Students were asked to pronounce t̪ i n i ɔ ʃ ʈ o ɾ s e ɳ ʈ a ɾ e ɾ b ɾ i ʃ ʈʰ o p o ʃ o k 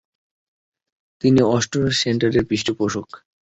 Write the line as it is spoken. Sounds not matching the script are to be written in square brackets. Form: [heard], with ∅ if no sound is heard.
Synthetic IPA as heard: t̪ i n i ɔ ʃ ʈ o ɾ s e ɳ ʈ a ɾ e ɾ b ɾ i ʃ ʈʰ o p o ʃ o k